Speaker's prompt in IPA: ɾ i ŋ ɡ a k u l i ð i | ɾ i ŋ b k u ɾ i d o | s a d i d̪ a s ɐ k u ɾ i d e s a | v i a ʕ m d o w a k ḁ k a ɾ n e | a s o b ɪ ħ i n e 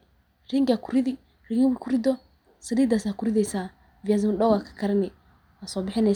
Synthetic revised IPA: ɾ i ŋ ɡ a k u ɾ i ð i | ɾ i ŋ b k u ɾ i d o | s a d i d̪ a s a k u ɾ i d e s a | v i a z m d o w a k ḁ k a ɾ n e | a s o b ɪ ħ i n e